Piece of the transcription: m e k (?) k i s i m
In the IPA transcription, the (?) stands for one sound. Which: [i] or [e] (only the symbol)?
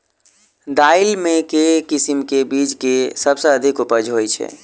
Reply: e